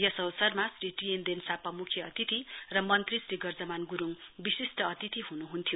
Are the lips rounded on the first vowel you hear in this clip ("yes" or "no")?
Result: no